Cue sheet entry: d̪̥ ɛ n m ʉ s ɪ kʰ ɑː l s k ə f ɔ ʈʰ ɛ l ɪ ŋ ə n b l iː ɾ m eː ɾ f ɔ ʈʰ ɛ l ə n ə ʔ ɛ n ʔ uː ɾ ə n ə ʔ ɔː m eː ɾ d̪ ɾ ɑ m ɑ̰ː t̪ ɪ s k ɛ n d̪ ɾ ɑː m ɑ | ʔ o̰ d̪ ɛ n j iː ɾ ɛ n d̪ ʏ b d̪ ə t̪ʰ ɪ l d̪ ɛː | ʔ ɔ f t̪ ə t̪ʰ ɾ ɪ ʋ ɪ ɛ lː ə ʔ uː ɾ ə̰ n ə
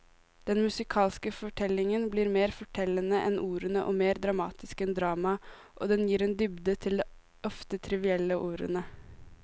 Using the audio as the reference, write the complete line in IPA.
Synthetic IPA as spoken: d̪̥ ɛ n m ʉ s ɪ kʰ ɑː l s k ə f ɔ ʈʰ ɛ l ɪ ŋ ə n b l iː ɾ m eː ɾ f ɔ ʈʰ ɛ l ə n ə ʔ ɛ n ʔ uː ɾ ə n ə ʔ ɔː m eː ɾ d̪ ɾ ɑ m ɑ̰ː t̪ ɪ s k ɛ n d̪ ɾ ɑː m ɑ | ʔ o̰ d̪ ɛ n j iː ɾ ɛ n d̪ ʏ b d̪ ə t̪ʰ ɪ l d̪ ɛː | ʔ ɔ f t̪ ə t̪ʰ ɾ ɪ ʋ ɪ ɛ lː ə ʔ uː ɾ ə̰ n ə

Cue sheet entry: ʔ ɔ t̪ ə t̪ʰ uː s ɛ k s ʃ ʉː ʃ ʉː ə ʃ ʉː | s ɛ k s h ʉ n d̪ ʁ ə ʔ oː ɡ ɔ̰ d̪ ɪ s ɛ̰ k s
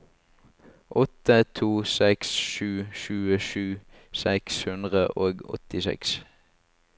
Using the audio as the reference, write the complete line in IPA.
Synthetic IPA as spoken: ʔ ɔ t̪ ə t̪ʰ uː s ɛ k s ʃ ʉː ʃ ʉː ə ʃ ʉː | s ɛ k s h ʉ n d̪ ʁ ə ʔ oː ɡ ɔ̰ t̪ ɪ s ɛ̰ k s

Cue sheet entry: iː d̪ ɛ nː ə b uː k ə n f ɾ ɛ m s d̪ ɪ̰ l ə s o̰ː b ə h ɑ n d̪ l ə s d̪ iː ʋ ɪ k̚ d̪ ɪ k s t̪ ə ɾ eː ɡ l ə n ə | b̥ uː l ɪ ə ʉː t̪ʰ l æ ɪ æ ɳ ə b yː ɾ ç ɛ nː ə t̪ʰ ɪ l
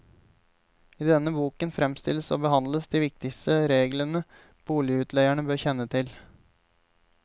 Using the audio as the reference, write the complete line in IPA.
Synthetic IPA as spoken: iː d̪ ɛ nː ə b uː k ə n f ɾ ɛ m s t̪ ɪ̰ l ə s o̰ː b ə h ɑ n d̪ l ə s d̪ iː ʋ ɪ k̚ t̪ ɪ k s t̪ ə ɾ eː ɡ l ə n ə | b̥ uː l ɪ ə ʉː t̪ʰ l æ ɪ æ ɳ ə b øː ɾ ç ɛ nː ə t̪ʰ ɪ l

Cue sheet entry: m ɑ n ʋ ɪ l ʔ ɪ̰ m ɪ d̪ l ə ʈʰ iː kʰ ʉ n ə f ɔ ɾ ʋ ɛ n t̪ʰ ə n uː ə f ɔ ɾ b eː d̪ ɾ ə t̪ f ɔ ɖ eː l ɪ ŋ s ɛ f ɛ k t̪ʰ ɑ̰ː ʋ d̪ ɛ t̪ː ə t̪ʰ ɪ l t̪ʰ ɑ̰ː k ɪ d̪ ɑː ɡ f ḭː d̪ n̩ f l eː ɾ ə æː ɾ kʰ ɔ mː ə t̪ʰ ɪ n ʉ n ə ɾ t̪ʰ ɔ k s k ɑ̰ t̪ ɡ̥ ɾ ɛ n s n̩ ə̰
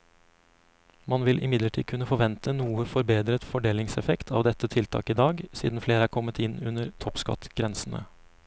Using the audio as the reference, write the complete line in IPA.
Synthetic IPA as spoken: m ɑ n ʋ ɪ l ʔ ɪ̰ m ɪ d̪ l ə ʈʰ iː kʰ ʉ n ə f ɔ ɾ ʋ ɛ n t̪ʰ ə n uː ə f ɔ ɾ b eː d̪ ɾ ə t̪ f ɔ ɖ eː l ɪ ŋ s ɛ f ɛ k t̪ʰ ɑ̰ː ʋ d̪ ɛ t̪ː ə t̪ʰ ɪ l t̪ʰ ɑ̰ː k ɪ d̪ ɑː ɡ s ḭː d̪ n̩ f l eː ɾ ə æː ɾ kʰ ɔ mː ə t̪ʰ ɪ n ʉ n ə ɾ t̪ʰ ɔ p s k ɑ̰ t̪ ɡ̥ ɾ ɛ n s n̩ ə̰

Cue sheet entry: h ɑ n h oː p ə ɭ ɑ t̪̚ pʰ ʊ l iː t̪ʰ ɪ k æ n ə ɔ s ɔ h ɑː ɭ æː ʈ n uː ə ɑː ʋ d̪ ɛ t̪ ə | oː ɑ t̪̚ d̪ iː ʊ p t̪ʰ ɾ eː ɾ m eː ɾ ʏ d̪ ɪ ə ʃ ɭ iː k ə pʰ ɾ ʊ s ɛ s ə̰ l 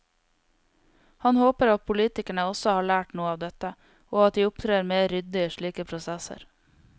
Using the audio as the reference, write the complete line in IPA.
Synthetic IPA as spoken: h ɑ n h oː p ə ɾ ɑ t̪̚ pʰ ʊ l iː t̪ ɪ k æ ɳ ə ɔ s ɔ h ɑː ɭ æː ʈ n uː ə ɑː ʋ d̪ ɛ t̪ ə | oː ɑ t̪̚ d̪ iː ʊ p t̪ʰ ɾ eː ɾ m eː ɾ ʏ d̪ ɪ ə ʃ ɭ iː k ə pʰ ɾ ʊ s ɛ s ə̰ ɾ

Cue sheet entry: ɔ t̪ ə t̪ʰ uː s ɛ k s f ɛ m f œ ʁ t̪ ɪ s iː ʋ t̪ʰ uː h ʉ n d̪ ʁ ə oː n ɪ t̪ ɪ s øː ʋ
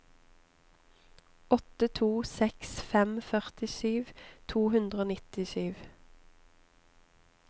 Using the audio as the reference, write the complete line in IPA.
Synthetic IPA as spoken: ɔ t̪ ə t̪ʰ uː s ɛ k s f ɛ m f œ ʁ t̪ ɪ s yː ʋ t̪ʰ uː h ʉ n d̪ ʁ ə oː n ɪ t̪ ɪ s yː ʋ

